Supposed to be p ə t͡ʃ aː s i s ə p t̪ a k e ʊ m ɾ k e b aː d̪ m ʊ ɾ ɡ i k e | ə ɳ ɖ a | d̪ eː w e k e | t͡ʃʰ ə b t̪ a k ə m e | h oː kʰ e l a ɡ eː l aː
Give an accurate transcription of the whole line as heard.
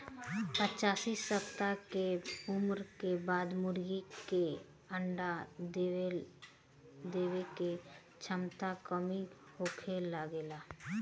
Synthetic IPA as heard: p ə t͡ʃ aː s i s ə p t̪ a k e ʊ m ɾ k e b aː d̪ m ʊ ɾ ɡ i k e | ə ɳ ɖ a | d̪ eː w e k e | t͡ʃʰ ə m t̪ a k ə m i | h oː kʰ e l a ɡ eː l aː